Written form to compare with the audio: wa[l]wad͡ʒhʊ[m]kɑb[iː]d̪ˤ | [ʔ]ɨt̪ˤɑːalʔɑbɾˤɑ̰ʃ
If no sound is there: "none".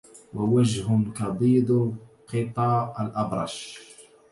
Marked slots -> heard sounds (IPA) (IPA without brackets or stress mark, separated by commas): none, m, iː, q